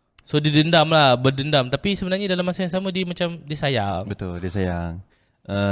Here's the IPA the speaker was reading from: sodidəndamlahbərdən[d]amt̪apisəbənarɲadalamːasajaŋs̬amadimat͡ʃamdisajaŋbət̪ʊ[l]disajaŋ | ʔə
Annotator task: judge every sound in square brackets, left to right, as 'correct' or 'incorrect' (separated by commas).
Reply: correct, correct